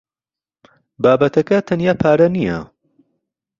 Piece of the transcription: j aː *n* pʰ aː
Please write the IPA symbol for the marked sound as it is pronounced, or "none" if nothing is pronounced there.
none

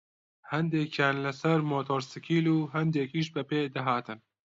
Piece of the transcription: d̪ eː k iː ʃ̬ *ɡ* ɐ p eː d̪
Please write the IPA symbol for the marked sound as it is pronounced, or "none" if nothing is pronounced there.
b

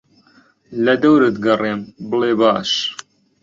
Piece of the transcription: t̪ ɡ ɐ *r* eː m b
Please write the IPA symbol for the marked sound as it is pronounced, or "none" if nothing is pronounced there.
r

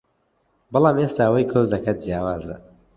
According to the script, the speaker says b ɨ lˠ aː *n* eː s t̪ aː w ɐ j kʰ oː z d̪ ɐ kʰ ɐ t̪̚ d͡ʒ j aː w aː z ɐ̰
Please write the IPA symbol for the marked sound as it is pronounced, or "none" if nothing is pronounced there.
m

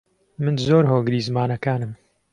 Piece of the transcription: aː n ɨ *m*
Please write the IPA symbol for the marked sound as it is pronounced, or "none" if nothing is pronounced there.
m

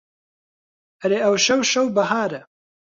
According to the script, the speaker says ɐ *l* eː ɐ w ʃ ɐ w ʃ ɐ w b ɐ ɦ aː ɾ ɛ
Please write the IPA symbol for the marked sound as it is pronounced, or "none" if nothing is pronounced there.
ɾ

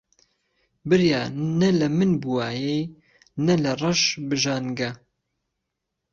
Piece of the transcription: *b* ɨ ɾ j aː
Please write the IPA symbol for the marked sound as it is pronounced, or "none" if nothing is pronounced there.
b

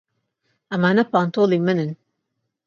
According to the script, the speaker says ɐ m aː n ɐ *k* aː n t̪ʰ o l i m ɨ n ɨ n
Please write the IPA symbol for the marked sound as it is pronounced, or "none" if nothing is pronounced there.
p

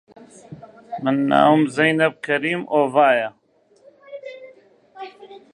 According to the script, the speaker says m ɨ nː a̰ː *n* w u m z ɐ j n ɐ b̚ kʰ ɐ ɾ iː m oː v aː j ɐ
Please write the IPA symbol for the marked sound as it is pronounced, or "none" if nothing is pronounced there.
none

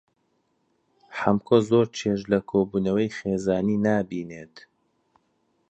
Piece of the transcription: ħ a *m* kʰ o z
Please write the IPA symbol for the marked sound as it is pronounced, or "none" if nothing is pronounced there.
m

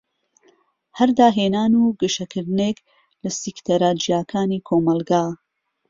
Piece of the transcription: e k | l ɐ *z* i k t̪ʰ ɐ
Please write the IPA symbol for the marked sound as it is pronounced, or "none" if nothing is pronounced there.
s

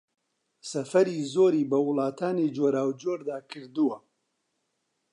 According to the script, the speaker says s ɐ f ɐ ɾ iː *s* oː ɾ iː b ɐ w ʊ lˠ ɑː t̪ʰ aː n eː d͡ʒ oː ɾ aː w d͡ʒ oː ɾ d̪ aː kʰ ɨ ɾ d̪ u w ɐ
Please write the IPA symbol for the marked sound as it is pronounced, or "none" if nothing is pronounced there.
z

